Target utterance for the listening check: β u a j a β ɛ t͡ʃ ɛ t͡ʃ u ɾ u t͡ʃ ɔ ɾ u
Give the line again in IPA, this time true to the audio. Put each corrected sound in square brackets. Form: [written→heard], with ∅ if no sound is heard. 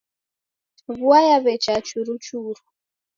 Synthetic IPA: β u a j a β ɛ t͡ʃ [ɛ→a] t͡ʃ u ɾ u t͡ʃ [ɔ→u] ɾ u